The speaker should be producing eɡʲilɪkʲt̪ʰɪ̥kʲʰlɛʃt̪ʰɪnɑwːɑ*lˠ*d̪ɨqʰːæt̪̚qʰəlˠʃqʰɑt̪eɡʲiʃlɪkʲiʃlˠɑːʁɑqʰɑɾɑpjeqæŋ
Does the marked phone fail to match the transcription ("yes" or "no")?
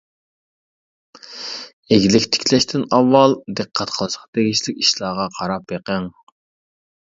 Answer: no